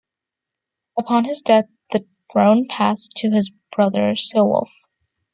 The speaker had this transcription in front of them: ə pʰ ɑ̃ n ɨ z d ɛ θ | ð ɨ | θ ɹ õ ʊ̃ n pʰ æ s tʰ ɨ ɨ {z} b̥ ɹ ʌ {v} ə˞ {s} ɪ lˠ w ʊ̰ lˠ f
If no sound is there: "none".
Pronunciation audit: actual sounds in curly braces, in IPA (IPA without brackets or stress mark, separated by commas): z, ð, s